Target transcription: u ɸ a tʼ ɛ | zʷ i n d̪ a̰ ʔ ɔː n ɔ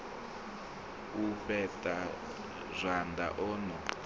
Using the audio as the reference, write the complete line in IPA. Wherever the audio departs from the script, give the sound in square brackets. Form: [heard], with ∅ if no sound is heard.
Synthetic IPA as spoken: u ɸ [ɛ] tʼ [a] | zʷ [a] n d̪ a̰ ʔ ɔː n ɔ